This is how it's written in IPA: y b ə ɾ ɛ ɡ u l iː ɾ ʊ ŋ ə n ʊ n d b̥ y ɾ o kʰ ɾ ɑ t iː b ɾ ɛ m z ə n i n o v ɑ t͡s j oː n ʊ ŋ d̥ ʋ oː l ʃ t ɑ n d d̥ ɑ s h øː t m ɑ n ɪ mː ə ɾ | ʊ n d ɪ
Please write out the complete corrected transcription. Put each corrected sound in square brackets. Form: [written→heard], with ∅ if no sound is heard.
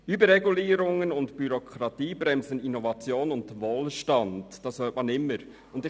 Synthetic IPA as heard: y b ə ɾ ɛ ɡ u l iː ɾ ʊ ŋ ə n ʊ n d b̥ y ɾ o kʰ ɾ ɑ t iː b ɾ ɛ m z ə n i n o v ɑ t͡s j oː n ʊ [ŋ→n] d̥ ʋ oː l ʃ t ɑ n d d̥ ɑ s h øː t m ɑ n ɪ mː ə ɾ | ʊ n d ɪ